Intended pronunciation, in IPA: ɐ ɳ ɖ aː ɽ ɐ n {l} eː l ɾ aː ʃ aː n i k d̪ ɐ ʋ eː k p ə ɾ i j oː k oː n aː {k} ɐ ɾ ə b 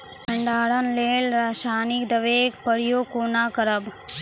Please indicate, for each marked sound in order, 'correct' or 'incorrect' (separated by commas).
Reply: correct, correct